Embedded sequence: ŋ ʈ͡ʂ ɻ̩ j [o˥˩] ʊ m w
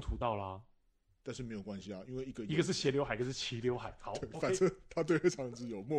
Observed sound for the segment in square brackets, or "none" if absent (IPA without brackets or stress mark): o˨˩